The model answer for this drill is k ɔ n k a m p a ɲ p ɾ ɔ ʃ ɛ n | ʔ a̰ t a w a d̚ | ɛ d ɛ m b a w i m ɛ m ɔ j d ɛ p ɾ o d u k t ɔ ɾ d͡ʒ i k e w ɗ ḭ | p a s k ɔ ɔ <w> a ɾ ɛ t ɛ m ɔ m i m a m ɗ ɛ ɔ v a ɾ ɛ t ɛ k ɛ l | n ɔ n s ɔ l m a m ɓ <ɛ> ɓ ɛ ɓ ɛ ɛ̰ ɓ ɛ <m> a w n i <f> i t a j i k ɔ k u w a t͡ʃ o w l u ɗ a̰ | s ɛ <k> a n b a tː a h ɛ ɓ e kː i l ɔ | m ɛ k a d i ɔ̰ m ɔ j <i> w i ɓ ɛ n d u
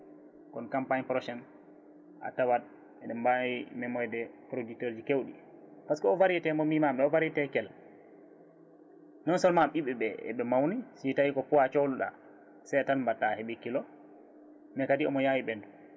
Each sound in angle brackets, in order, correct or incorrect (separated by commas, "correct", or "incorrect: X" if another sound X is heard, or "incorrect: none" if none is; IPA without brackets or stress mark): incorrect: v, incorrect: i, correct, incorrect: s, incorrect: t, incorrect: a